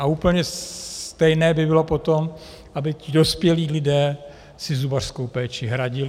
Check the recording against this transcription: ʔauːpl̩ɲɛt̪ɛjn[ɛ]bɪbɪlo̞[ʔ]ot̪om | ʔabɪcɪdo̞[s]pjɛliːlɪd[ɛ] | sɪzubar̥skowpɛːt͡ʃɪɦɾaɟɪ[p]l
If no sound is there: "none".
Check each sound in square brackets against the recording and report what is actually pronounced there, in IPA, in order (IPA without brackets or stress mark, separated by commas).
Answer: ɛː, p, s, ɛː, none